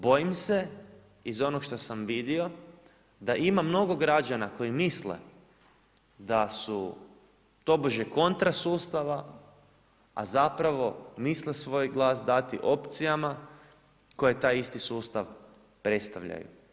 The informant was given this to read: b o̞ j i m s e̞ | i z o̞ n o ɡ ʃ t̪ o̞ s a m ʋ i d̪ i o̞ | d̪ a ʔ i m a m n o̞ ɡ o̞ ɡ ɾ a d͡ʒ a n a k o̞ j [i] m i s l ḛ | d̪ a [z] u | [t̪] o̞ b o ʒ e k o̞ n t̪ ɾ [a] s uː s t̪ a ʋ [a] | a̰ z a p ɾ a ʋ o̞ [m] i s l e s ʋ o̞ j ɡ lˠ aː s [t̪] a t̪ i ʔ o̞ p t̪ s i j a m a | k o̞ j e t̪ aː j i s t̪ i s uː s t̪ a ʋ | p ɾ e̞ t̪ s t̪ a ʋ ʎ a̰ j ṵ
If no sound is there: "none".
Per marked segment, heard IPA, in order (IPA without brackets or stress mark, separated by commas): i, s, t̪, a, a, m, d̪